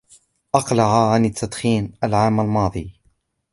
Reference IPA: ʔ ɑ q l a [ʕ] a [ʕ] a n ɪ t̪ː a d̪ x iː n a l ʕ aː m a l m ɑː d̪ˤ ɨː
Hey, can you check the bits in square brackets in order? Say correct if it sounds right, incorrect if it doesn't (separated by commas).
correct, correct